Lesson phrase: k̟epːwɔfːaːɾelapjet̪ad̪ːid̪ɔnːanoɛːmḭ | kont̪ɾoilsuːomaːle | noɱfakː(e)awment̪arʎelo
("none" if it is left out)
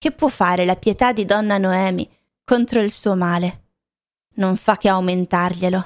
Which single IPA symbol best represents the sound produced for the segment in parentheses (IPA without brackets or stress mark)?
e